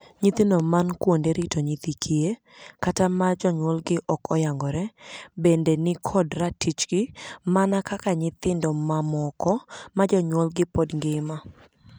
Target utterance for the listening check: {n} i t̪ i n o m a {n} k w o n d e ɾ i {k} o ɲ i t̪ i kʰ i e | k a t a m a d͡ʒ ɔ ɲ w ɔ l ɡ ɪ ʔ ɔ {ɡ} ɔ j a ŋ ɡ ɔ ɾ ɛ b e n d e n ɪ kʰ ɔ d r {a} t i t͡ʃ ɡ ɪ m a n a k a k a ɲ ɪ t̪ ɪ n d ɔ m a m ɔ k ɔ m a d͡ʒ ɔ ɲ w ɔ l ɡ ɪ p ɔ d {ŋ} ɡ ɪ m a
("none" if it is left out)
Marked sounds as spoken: ɲ, n, t, k, a, ŋ

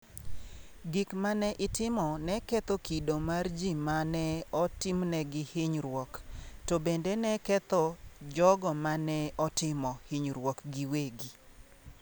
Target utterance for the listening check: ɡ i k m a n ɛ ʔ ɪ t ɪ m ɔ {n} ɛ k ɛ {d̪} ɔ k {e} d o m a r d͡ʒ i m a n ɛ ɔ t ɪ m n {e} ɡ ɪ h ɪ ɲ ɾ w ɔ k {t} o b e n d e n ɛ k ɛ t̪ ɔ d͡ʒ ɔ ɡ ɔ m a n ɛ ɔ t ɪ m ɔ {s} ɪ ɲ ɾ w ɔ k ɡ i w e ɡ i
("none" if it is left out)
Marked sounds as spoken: n, t̪, i, ɛ, t, h

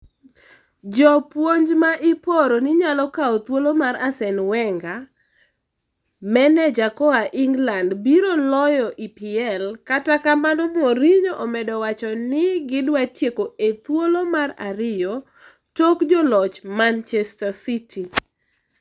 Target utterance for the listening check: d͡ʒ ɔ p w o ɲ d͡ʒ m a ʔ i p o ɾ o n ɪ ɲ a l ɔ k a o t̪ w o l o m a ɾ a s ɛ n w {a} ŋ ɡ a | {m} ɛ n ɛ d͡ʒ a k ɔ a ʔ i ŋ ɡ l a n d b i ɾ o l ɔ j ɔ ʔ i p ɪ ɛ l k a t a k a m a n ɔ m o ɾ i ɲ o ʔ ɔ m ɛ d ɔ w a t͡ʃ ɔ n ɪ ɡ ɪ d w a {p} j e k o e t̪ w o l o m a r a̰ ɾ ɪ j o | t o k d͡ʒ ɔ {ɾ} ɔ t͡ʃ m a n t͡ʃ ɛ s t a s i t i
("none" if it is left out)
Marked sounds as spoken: ɛ, m, t, l

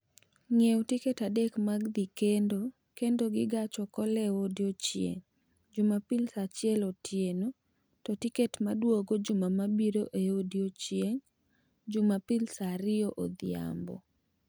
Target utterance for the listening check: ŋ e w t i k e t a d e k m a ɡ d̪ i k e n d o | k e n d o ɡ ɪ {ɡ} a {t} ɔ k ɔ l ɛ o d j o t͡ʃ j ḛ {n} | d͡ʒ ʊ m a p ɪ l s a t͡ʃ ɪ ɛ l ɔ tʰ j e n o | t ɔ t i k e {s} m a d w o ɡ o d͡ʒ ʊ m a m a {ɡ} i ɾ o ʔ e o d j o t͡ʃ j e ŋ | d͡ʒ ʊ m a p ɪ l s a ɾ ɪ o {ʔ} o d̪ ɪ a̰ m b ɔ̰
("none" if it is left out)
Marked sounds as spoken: ɡ, t͡ʃ, ŋ, t, b, ʔ

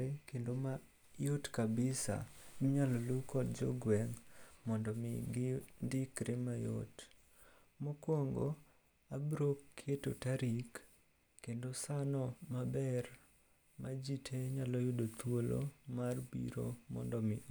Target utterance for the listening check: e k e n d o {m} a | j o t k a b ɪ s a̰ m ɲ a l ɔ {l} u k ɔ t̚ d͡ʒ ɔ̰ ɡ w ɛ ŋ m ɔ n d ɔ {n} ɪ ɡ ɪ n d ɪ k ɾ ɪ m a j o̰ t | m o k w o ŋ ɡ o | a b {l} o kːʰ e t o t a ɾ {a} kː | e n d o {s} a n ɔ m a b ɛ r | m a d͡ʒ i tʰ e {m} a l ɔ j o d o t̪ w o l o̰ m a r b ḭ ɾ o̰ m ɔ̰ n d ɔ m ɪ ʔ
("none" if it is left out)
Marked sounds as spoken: m, l, m, ɾ, i, s, ɲ

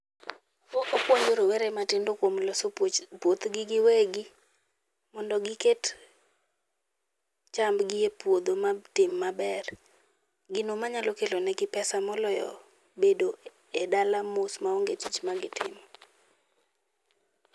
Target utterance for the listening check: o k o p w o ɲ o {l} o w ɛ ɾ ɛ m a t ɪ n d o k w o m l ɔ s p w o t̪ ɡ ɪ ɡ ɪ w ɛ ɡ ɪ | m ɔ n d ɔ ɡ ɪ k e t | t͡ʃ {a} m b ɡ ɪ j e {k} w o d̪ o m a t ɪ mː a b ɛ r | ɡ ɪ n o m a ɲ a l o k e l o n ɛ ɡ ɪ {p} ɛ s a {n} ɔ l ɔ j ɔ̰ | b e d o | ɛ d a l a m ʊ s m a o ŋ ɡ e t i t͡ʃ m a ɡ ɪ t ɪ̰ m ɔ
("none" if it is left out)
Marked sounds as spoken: ɾ, a, p, p, m

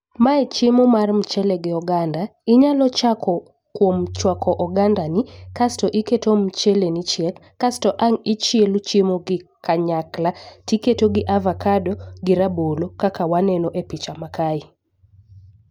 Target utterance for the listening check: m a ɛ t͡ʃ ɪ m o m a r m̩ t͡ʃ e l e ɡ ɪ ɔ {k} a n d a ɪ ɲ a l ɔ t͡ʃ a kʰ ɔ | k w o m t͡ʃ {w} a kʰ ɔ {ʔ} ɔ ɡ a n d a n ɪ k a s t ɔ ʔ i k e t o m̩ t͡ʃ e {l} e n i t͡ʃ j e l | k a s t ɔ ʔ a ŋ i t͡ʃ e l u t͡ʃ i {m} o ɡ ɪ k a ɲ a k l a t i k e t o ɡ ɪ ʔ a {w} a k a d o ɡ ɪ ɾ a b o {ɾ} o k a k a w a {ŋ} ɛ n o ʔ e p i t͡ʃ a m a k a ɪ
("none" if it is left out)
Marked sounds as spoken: ɡ, w, ʔ, l, m, v, l, n

